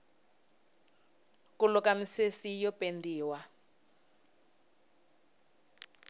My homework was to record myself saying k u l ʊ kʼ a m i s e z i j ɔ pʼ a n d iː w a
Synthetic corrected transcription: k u l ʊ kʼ a m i s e s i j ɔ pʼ e n d iː w a